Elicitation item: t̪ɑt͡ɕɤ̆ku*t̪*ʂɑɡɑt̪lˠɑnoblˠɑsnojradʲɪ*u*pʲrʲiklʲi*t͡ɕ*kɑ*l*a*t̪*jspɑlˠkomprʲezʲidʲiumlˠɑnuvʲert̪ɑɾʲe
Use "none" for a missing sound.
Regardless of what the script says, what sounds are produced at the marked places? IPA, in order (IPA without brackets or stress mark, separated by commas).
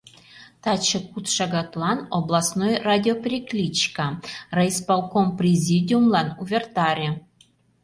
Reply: t̪, o, t͡ɕ, r, none